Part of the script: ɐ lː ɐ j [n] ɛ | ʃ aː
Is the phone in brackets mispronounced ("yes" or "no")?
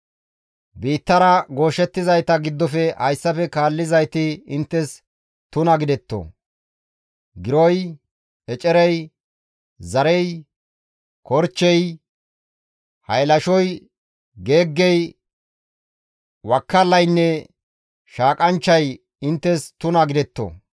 yes